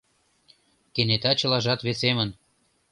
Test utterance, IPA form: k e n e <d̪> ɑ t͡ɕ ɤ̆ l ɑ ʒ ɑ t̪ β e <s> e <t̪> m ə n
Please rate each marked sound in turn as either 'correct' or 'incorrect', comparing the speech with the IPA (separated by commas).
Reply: incorrect, correct, incorrect